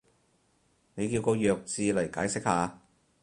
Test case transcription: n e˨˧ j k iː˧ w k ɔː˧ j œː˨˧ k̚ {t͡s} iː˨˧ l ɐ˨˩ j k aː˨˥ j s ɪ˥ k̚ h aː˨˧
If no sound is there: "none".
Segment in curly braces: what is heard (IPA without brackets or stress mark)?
t͡s